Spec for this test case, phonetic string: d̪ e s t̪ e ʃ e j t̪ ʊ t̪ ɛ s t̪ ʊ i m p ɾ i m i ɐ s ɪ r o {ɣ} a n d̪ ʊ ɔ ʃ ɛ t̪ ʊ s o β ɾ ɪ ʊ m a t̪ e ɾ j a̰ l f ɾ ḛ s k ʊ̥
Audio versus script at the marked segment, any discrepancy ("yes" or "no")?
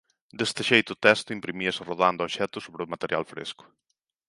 yes